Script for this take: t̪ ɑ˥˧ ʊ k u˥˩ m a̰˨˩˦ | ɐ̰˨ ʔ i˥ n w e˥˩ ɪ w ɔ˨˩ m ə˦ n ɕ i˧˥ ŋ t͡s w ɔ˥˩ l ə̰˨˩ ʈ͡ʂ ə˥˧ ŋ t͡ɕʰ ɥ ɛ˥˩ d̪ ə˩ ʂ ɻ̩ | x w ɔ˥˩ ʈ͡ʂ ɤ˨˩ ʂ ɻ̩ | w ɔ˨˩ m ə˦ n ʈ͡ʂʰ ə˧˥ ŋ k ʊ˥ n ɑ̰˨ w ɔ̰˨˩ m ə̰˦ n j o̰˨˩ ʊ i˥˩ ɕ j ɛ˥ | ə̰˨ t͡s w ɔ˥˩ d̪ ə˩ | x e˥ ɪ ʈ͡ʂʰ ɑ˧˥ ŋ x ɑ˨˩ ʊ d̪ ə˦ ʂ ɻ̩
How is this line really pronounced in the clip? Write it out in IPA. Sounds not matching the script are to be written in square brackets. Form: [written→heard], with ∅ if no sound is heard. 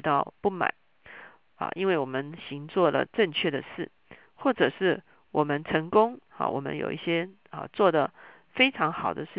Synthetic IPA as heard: t̪ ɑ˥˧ ʊ [k→p] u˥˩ m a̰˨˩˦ | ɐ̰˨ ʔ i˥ n w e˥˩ ɪ w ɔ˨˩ m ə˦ n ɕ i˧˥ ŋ t͡s w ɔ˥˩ l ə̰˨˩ ʈ͡ʂ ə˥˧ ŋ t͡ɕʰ ɥ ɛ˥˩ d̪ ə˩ ʂ ɻ̩ | x w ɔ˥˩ ʈ͡ʂ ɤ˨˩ ʂ ɻ̩ | w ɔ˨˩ m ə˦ n ʈ͡ʂʰ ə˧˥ ŋ k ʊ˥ [n→ŋ] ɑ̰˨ w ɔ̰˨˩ m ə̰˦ n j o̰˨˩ ʊ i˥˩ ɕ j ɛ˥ | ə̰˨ t͡s w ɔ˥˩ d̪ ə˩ | [x→f] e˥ ɪ ʈ͡ʂʰ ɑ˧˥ ŋ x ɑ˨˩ ʊ d̪ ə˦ ʂ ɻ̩